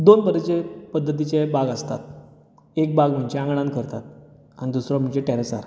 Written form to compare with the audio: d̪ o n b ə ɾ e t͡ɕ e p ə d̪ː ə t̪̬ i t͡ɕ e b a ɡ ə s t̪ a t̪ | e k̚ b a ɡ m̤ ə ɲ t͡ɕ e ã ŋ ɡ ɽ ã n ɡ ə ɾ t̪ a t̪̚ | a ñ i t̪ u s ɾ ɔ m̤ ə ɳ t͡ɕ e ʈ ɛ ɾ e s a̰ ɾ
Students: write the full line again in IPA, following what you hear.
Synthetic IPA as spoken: d̪ o n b ə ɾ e t͡ɕ e p ə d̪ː ə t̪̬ i t͡ɕ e b a ɡ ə s t̪ a t̪ | e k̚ b a ɡ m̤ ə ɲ t͡ɕ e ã ŋ ɡ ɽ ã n k ə ɾ t̪ a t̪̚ | a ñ i d̪ u s ɾ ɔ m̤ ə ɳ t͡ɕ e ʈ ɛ ɾ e s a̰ ɾ

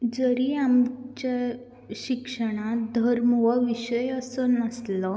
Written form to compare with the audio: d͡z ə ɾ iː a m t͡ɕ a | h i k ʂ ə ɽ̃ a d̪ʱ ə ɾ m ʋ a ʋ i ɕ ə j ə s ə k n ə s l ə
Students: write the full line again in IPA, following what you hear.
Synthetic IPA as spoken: d͡z ə ɾ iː a m t͡ɕ a | ɕ i k ʂ ə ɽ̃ a d̪ʱ ə ɾ m ʋ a ʋ i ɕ ə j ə s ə n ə s l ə

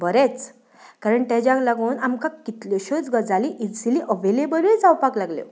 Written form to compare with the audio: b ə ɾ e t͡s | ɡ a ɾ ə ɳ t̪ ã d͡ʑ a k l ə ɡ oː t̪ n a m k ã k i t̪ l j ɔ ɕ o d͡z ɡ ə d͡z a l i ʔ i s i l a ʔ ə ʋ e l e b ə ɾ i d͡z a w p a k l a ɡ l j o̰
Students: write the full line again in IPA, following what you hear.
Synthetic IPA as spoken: b ə ɾ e t͡s | k a ɾ ə ɳ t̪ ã d͡ʑ a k l a ɡ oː n a m k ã k i t̪ l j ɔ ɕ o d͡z ɡ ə d͡z a l i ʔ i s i l i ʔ ə ʋ e l e b ə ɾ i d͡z a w p a k l a ɡ l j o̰

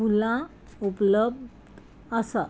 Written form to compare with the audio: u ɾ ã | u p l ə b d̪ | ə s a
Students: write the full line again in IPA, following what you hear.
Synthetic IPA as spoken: u l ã | u p l ə b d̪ | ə s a

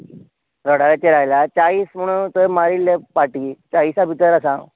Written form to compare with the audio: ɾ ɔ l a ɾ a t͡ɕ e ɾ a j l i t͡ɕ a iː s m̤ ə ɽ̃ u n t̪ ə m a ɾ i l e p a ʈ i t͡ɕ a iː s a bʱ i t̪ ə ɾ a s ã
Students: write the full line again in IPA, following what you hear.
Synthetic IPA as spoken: ɾ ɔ ɽ a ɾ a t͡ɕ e ɾ a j l a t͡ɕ a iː s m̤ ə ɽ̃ u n t̪ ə m a ɾ i l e p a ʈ i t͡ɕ a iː s a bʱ i t̪ ə ɾ a s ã

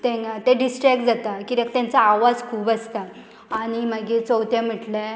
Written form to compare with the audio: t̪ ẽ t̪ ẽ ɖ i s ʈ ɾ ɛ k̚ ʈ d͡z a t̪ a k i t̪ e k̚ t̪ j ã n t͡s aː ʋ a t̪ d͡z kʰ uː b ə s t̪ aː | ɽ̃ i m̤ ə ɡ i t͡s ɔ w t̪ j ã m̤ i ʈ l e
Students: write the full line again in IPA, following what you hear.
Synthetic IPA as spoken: t̪ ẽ t̪ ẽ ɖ i s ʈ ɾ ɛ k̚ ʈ d͡z a t̪ a k i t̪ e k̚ t̪ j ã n t͡s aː ʋ a d͡z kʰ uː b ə s t̪ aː | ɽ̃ i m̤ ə ɡ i t͡s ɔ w t̪ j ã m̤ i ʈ l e

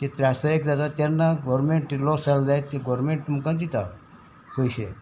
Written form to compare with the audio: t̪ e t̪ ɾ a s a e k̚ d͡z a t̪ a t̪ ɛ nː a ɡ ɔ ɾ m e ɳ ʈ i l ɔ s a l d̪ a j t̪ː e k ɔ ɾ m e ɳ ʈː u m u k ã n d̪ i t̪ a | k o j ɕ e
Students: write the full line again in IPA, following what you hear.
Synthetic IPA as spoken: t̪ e t̪ ɾ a s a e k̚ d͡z a t̪ a t̪ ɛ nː a ɡ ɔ ɾ m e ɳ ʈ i l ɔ s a l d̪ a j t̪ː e ɡ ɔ ɾ m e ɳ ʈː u m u k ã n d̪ i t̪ a | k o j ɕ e

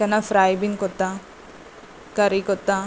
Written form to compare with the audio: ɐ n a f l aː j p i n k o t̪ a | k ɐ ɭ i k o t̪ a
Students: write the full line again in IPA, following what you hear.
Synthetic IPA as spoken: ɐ n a f ɾ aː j b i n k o t̪ a | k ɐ ɾ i k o t̪ a

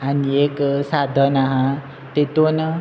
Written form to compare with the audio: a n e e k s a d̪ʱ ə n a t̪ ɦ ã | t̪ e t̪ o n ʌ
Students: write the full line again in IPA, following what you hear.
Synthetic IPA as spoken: a n i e k s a d̪ʱ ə n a ɦ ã | t̪ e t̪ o n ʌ

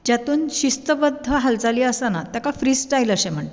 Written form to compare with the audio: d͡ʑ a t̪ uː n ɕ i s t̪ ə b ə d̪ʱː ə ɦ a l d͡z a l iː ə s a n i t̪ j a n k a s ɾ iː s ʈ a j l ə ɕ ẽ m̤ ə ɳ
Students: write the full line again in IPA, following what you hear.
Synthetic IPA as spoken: d͡ʑ a t̪ uː n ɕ i s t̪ ə b ə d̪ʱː ə ɦ a l d͡z a l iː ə s a n a t̪ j a k a f ɾ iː s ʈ a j l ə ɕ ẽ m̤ ə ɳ

